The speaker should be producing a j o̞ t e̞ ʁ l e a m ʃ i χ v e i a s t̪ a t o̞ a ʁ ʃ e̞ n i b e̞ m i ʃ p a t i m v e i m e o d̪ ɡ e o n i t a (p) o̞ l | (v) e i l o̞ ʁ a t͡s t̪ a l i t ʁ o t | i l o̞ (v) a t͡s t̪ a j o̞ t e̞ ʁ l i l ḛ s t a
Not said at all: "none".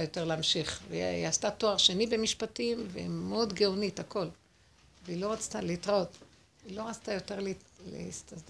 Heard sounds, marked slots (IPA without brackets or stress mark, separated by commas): k, v, ʁ